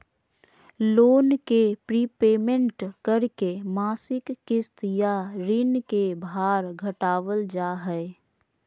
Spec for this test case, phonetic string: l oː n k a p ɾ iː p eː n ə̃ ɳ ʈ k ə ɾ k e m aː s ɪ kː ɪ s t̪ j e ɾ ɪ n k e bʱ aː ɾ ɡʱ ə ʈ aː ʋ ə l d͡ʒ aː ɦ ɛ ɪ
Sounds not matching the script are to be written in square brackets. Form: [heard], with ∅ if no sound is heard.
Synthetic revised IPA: l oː n k [e] p ɾ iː p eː [m] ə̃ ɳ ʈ k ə ɾ k e m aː s ɪ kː ɪ s t̪ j [a] ɾ ɪ n k e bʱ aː ɾ ɡʱ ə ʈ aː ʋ ə l d͡ʒ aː ɦ ɛ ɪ